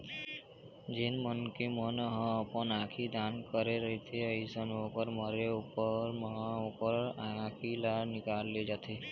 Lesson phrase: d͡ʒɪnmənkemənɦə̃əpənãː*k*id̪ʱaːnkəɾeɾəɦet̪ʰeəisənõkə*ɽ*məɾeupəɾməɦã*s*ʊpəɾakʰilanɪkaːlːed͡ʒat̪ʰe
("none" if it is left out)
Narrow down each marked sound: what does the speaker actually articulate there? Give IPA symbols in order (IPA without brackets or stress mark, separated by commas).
kʰ, ɾ, none